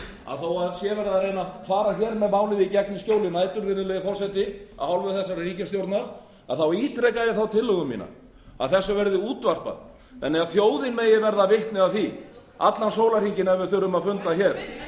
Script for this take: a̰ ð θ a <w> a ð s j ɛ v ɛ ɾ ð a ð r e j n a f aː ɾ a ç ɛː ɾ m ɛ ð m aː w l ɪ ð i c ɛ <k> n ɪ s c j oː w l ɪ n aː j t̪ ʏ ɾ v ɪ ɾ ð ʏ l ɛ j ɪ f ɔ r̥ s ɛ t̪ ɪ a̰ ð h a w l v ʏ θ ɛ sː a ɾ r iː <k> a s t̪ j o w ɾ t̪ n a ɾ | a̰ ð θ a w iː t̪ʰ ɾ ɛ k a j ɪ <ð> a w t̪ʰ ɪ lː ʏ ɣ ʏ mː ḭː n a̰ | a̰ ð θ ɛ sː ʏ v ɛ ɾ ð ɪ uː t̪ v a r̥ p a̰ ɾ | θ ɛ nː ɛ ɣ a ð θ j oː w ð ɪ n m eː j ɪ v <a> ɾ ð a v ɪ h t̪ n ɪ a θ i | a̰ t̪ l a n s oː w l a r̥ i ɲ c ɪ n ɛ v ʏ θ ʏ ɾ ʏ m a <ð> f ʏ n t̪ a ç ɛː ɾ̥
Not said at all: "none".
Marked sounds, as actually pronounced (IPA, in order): w, k, c, θ, ɛ, ð

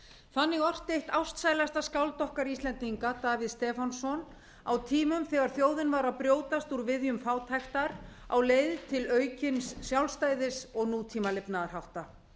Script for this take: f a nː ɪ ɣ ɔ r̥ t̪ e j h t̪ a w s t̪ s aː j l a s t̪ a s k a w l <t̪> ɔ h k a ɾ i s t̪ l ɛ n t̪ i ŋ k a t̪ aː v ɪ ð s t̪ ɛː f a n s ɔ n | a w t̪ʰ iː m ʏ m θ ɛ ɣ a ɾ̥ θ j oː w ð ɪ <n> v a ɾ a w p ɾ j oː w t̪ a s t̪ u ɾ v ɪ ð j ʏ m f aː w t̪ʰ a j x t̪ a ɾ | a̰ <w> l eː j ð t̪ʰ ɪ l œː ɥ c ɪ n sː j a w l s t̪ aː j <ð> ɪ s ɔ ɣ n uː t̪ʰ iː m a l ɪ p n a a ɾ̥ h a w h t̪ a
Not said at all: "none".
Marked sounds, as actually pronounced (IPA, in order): t̪, n, w, ð

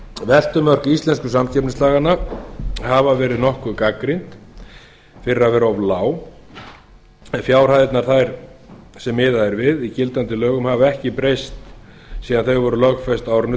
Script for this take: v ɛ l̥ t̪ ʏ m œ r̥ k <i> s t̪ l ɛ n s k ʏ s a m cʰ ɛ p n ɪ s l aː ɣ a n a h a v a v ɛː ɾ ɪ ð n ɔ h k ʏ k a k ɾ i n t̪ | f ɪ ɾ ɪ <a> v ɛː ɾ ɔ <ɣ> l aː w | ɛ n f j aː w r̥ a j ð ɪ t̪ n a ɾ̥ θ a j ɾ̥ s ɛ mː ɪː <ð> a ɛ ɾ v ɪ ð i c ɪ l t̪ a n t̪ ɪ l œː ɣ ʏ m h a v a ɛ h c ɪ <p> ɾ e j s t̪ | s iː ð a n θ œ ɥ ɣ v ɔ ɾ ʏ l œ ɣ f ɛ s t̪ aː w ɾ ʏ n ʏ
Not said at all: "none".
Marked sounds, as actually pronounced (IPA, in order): i, a, v, ð, p

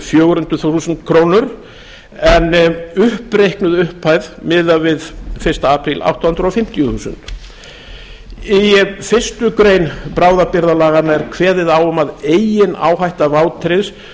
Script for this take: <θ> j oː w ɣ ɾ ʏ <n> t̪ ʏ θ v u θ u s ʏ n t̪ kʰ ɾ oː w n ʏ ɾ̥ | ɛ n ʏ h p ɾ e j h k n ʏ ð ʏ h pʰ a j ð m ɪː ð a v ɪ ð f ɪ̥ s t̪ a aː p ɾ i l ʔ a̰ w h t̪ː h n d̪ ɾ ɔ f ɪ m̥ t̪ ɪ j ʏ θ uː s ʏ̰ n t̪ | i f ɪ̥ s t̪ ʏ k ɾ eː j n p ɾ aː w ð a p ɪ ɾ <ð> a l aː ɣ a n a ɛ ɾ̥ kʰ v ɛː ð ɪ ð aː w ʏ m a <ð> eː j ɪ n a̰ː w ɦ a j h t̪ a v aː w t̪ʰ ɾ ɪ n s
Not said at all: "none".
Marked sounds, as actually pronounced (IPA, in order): f, n, ð, ð

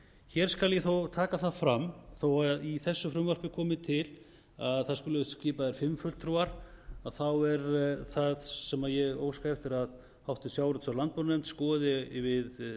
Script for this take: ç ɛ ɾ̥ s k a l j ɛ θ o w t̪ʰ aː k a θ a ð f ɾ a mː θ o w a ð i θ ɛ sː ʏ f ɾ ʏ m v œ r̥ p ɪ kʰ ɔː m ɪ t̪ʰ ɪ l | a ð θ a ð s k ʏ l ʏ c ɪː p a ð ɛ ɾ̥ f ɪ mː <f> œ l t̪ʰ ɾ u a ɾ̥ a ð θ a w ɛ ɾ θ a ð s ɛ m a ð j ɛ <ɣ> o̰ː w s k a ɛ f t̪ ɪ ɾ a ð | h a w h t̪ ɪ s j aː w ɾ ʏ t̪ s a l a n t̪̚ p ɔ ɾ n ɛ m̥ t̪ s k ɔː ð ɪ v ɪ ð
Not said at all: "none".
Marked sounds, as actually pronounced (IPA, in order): f, ɣ

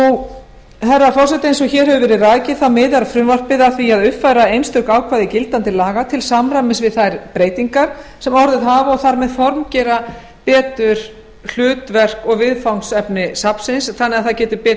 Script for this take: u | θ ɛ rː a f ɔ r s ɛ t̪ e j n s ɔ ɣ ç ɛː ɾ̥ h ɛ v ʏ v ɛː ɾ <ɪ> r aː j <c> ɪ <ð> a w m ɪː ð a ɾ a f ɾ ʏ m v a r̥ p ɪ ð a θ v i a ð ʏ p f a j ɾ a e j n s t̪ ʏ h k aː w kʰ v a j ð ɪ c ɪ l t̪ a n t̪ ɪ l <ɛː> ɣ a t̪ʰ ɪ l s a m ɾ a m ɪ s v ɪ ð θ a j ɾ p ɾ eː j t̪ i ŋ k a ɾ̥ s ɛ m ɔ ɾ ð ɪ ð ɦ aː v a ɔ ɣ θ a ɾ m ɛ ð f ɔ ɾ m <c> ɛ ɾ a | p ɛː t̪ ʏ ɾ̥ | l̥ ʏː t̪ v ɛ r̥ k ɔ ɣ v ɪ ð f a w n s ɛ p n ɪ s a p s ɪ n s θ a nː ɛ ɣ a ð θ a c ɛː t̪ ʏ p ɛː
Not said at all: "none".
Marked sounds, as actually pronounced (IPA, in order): ɪ, c, θ, aː, c

